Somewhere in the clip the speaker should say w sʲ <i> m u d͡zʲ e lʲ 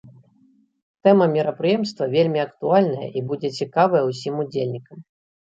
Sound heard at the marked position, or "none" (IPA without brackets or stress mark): i